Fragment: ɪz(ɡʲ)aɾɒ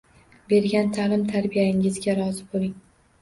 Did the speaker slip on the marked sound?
no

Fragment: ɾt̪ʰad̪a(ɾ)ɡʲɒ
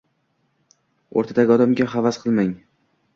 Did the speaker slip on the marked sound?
yes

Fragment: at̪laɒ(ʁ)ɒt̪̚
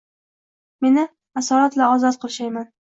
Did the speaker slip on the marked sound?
yes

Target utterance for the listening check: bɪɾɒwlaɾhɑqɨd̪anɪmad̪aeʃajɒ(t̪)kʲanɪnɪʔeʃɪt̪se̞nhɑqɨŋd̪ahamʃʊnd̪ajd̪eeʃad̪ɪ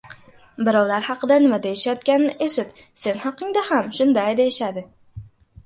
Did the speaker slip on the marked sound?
no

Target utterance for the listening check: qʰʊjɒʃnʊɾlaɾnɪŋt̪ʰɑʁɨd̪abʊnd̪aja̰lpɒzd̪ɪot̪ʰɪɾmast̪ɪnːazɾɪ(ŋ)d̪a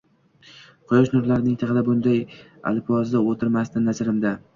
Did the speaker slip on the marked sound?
yes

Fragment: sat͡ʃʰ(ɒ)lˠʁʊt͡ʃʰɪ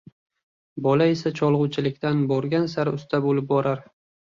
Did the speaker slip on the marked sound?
no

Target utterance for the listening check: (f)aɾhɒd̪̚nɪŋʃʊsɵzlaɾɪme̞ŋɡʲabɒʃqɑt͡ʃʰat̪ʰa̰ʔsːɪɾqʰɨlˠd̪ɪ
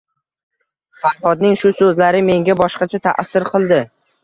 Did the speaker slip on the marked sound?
no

